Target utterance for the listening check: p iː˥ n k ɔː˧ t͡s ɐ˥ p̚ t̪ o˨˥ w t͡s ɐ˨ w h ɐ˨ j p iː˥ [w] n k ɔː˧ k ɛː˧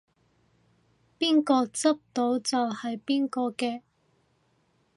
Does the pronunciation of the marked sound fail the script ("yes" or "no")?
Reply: yes